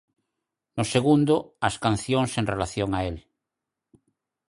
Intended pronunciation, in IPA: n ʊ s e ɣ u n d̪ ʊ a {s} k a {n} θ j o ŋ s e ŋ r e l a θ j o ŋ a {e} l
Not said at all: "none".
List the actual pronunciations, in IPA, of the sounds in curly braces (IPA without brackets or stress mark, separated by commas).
s, n, e